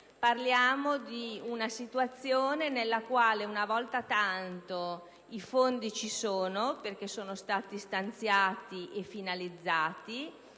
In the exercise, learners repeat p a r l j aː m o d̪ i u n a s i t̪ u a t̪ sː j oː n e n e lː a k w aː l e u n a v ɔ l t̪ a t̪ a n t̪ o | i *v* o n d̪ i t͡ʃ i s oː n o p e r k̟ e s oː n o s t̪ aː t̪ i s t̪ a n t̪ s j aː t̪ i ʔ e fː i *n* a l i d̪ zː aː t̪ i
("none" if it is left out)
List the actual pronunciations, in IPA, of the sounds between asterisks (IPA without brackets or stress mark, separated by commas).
f, n